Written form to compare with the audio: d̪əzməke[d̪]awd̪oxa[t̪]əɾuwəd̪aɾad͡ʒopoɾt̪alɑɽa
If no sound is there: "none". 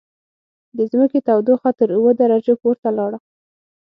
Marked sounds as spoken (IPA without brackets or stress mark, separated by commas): t̪, t̪